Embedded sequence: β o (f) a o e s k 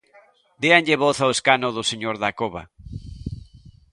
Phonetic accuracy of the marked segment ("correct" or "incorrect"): incorrect